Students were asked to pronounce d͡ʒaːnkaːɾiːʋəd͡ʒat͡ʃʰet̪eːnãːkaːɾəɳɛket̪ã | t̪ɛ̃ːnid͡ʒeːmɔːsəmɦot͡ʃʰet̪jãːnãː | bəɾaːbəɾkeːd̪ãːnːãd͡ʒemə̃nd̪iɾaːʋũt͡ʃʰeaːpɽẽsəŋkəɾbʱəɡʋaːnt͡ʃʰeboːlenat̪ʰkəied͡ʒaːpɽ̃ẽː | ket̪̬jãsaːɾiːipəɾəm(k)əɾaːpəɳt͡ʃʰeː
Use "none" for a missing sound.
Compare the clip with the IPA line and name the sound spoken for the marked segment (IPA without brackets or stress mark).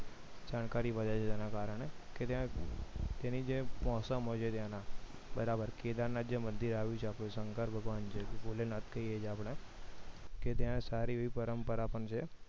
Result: p